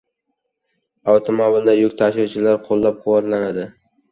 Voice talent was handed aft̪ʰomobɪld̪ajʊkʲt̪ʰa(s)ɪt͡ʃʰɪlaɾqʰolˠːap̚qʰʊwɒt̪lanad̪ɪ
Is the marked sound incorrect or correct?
incorrect